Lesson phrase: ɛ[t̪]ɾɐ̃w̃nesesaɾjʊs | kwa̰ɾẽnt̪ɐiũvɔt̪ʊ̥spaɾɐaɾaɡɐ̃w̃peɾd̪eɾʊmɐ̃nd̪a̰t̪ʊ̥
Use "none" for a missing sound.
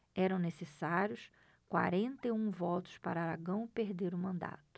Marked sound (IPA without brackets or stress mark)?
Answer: none